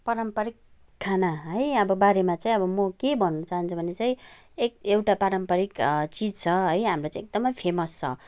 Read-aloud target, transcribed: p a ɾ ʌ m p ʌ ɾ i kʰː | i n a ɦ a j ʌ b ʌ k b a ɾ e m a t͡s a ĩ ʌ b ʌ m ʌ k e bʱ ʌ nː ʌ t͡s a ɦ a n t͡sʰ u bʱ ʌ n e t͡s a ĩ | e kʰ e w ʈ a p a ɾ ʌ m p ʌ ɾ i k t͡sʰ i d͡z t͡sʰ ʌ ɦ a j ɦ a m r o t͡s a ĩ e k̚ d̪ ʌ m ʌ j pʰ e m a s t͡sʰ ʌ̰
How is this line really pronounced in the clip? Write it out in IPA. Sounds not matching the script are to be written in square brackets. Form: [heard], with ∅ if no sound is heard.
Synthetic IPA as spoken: p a ɾ ʌ m p ʌ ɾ i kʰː | [a] n a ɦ [ʌ] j ʌ b ʌ [∅] b a ɾ e m a t͡s a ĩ ʌ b ʌ m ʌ k e bʱ ʌ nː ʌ t͡s a ɦ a n t͡sʰ u bʱ ʌ n e t͡s a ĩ | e [k] e w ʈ a p a ɾ ʌ m p ʌ ɾ i k [t͡s] i d͡z t͡sʰ ʌ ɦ [ʌ] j ɦ a m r o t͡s a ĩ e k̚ d̪ ʌ m ʌ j pʰ e m [ʌ] s t͡sʰ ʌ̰